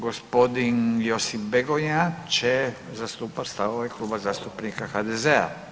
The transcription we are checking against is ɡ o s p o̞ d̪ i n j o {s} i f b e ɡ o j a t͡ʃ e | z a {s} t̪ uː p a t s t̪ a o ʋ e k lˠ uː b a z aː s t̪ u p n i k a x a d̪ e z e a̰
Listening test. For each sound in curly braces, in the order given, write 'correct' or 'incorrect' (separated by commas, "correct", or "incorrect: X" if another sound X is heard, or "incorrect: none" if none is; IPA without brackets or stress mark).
correct, correct